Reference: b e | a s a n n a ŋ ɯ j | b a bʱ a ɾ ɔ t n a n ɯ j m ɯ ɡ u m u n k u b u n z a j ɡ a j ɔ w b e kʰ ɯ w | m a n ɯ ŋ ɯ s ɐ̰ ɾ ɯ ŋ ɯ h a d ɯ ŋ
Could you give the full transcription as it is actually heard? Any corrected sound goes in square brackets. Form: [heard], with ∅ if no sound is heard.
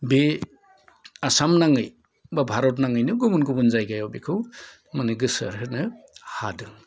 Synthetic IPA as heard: b e | a s a [m] n a ŋ ɯ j | b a bʱ a ɾ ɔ t n a [ŋ] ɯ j [n] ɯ ɡ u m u n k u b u n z a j ɡ a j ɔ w b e kʰ ɯ w | m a n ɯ [ɡ] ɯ s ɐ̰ ɾ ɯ [n] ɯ h a d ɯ ŋ

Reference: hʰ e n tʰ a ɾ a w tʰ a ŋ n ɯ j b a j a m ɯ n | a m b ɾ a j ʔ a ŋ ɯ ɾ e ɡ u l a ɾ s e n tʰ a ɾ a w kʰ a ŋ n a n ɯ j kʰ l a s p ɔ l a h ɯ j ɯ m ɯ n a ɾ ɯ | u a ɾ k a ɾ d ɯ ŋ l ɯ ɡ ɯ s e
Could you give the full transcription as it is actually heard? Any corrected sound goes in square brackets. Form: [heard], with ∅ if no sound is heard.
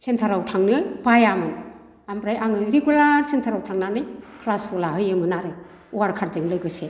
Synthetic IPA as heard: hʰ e n tʰ a ɾ a w tʰ a ŋ n ɯ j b a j a m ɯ n | a m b ɾ a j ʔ a ŋ ɯ ɾ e ɡ u l a ɾ s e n tʰ a ɾ a w [tʰ] a ŋ n a n ɯ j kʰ l a s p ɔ l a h ɯ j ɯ m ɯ n a ɾ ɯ | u a ɾ [kʰ] a ɾ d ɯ ŋ l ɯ ɡ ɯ s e

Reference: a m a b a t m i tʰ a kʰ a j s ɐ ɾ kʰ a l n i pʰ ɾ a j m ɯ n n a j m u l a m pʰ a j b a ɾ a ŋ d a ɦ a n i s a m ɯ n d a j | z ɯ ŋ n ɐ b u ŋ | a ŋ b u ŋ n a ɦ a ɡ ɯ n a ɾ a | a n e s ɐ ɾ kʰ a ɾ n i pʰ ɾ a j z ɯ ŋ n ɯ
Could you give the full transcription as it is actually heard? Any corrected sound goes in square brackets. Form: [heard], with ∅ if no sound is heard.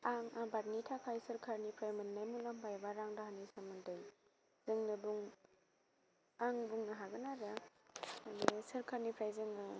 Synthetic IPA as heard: a [ŋ] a b a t [n] i tʰ a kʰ a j s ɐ ɾ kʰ a [ɾ] n i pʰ ɾ a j m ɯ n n a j m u l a m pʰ a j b a ɾ a ŋ d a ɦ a n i s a m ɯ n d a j | z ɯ ŋ n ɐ b u ŋ | a ŋ b u ŋ n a ɦ a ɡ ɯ n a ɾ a | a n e s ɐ ɾ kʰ a ɾ n i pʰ ɾ a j z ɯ ŋ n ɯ

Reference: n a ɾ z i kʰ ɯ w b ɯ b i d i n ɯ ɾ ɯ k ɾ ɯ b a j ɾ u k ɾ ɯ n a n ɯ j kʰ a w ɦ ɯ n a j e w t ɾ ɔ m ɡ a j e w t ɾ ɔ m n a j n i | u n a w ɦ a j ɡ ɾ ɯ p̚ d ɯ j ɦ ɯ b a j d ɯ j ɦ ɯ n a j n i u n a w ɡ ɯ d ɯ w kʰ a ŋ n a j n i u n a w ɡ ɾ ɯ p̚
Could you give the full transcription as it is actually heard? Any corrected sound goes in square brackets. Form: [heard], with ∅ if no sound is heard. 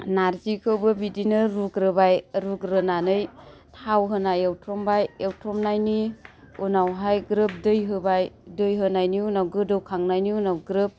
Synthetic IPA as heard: n a ɾ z i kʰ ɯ w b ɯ b i d i n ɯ ɾ [u] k ɾ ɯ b a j ɾ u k ɾ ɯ n a n ɯ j [tʰ] a w ɦ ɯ n a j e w t ɾ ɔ m [b] a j e w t ɾ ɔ m n a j n i | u n a w ɦ a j ɡ ɾ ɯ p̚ d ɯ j ɦ ɯ b a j d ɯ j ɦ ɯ n a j n i u n a w ɡ ɯ d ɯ w kʰ a ŋ n a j n i u n a w ɡ ɾ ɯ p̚

